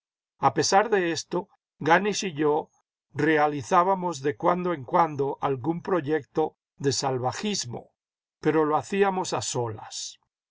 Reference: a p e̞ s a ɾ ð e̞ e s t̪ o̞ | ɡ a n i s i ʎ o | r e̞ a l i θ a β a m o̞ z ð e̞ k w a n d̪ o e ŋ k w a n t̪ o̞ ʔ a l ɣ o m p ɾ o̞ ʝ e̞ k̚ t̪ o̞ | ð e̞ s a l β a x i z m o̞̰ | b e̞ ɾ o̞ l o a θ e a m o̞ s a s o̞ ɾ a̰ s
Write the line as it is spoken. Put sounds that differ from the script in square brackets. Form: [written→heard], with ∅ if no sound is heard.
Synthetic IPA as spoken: a p e̞ s a ɾ ð e̞ e s t̪ o̞ | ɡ a n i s i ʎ o | r e̞ a l i θ a β a m o̞ z ð e̞ k w a n d̪ o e ŋ k w a n [t̪→d̪] o̞ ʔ a l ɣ [o→u] m p ɾ o̞ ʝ e̞ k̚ t̪ o̞ | ð e̞ s a l β a x i z m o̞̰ | [b→p] e̞ ɾ o̞ l o a θ [e→i] a m o̞ s a s o̞ [ɾ→l] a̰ s

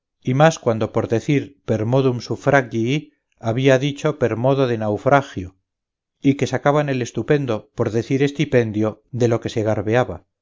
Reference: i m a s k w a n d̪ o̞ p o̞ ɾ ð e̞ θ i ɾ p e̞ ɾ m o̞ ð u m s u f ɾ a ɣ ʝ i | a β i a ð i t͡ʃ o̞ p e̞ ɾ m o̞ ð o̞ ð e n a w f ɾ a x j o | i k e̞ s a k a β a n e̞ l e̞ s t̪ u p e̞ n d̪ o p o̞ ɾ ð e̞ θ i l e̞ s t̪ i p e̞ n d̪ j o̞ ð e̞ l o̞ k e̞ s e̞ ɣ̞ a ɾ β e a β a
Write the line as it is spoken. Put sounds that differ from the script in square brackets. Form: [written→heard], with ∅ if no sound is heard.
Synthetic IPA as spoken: i m a s k w a n d̪ o̞ p o̞ ɾ ð e̞ θ i ɾ p e̞ ɾ m o̞ ð u m s u f ɾ a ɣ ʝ i | a β i a ð i t͡ʃ o̞ p e̞ ɾ m o̞ ð o̞ ð e n a w f ɾ a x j o | i k e̞ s a k a β a n e̞ l e̞ s t̪ u p e̞ n d̪ o p o̞ ɾ ð e̞ θ i [l→ɾ] e̞ s t̪ i p e̞ n d̪ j o̞ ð e̞ l o̞ k e̞ s e̞ ɣ̞ a ɾ β e a β a

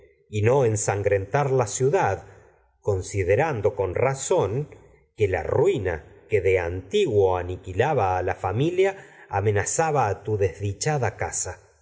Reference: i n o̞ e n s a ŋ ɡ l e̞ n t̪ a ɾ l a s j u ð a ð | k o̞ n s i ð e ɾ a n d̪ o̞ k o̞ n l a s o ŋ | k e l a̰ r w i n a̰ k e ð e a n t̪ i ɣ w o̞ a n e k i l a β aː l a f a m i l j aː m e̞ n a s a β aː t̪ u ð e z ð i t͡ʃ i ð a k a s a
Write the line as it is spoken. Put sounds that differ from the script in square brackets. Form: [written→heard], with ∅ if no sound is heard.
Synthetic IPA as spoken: i n o̞ e n s a ŋ ɡ [l→ɾ] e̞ n t̪ a ɾ l a s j u ð a ð | k o̞ n s i ð e ɾ a n d̪ o̞ k o̞ n [l→r] a s o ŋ | k e l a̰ r w i n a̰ k e ð e a n t̪ i ɣ w o̞ a n [e→i] k i l a β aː l a f a m i l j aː m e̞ n a s a β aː t̪ u ð e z ð i t͡ʃ [i→a] ð a k a s a

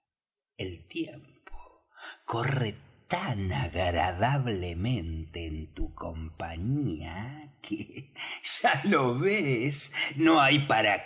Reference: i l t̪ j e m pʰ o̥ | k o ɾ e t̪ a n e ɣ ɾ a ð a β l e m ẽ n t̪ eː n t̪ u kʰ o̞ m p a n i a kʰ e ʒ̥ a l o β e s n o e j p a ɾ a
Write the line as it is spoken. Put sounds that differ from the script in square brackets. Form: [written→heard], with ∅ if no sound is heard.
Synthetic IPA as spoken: [i→e] l t̪ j e m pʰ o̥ | k o [ɾ→r] e t̪ a n [e→a] ɣ ɾ a ð a β l e m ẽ n t̪ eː n t̪ u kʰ o̞ m p a [n→ɲ] i a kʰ e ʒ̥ a l o β e s n o [e→a] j p a ɾ a

